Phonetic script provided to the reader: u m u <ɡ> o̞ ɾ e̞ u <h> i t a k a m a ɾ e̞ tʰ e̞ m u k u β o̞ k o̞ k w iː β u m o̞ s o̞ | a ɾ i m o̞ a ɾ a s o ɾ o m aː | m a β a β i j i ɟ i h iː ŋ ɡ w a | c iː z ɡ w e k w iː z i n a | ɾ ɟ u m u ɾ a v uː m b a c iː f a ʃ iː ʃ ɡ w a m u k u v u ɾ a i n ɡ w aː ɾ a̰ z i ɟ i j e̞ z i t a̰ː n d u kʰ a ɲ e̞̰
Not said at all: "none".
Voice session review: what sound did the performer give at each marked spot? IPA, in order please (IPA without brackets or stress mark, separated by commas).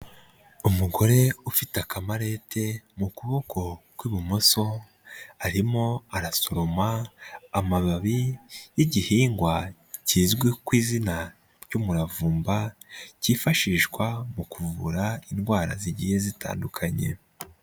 ɡ, f